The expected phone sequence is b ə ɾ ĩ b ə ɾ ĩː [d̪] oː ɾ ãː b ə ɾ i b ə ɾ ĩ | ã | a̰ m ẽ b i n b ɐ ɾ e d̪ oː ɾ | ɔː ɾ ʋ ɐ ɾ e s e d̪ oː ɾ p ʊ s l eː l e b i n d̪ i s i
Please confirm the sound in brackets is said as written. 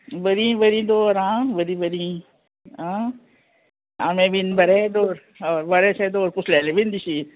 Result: yes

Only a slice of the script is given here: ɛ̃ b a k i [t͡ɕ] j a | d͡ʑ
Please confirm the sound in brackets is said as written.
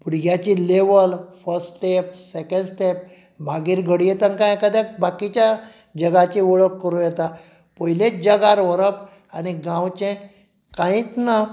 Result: yes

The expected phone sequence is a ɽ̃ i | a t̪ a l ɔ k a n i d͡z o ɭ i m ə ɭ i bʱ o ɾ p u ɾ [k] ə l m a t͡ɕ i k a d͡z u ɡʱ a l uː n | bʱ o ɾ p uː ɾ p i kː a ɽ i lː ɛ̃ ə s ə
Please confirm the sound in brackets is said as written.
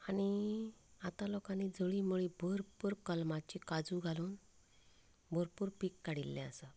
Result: yes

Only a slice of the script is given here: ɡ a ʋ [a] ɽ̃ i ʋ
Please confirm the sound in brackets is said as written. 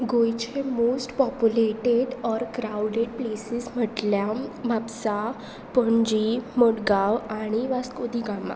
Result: yes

